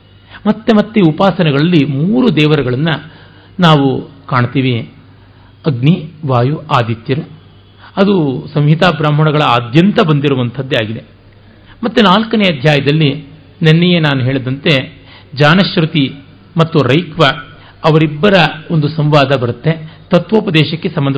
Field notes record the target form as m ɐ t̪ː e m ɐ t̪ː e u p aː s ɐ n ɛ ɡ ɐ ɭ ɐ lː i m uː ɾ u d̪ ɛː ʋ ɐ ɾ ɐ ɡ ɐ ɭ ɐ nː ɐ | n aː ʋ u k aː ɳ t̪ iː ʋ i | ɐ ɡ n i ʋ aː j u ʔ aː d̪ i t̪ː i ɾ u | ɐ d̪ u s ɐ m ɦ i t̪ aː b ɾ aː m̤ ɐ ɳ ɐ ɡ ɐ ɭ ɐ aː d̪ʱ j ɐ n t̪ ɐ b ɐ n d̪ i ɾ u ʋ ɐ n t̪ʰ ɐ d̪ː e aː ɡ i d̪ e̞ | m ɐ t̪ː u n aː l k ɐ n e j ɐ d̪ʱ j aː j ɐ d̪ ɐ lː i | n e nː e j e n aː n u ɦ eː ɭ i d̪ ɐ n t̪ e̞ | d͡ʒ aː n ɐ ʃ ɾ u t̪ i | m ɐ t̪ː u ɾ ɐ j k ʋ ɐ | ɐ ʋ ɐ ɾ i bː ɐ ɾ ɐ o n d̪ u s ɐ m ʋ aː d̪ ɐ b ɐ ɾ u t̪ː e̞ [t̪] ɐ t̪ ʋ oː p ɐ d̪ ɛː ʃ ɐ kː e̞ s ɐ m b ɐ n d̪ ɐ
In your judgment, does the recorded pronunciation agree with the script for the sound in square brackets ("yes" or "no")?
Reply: yes